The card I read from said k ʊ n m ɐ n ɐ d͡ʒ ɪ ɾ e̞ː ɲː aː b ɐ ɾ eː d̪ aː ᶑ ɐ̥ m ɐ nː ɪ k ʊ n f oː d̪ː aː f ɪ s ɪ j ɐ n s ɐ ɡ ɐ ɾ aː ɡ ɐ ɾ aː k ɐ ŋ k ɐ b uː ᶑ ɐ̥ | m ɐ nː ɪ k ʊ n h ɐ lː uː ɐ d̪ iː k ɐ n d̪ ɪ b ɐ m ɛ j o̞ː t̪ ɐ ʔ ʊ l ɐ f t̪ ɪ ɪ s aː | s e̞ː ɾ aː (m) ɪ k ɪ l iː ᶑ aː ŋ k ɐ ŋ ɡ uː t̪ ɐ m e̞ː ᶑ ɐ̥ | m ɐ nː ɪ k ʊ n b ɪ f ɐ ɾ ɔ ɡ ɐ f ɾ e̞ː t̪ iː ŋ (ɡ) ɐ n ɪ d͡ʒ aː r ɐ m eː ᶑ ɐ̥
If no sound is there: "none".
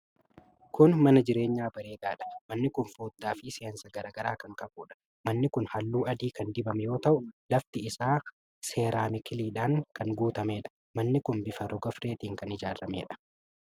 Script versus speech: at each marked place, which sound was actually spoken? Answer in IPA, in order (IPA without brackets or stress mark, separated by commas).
m, k